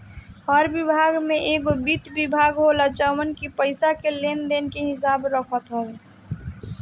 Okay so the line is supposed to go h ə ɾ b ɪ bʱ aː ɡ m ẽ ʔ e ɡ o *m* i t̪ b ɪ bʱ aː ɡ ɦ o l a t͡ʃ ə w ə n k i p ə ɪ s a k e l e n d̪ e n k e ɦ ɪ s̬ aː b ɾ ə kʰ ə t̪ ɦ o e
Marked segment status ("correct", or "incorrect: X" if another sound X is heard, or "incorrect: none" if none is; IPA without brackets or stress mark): incorrect: b